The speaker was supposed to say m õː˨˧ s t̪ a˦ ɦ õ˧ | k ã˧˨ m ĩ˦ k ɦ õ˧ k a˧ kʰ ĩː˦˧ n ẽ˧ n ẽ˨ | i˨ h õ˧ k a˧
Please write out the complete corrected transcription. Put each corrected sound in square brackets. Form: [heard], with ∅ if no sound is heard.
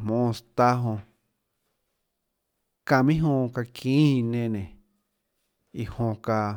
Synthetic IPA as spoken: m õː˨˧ s t̪ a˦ ɦ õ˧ | k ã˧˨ m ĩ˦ [∅] ɦ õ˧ k a˧ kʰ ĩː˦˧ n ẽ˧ n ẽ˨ | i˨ h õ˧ k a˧